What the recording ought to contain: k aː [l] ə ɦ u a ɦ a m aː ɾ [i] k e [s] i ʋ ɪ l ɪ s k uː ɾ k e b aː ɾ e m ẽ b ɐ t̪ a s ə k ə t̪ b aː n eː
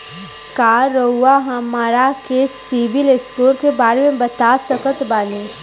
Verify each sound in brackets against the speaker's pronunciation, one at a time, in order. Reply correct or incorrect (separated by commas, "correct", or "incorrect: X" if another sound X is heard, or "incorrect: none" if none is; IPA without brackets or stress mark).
incorrect: ɾ, incorrect: a, correct